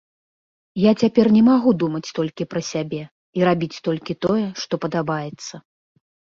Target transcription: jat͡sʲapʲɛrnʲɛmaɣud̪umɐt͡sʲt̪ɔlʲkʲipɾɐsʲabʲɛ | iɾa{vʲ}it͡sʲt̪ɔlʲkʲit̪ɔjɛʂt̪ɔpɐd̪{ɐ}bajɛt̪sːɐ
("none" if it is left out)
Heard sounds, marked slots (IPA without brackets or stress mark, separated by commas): bʲ, a